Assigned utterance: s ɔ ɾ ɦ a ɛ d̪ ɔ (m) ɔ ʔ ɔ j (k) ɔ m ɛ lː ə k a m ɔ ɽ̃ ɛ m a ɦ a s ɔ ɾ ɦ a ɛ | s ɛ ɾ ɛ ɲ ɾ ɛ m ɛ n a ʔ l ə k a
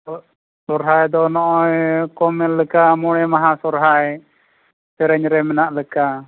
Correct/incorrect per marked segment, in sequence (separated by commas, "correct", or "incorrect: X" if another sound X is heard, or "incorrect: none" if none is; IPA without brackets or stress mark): incorrect: n, correct